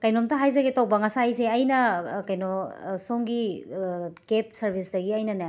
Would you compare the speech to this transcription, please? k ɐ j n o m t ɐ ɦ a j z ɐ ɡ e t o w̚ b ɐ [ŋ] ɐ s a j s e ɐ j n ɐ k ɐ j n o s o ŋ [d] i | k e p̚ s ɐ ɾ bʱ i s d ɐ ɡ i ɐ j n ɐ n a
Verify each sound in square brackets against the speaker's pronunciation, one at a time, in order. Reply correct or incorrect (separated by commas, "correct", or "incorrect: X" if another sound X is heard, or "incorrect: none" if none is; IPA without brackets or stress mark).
correct, incorrect: ɡ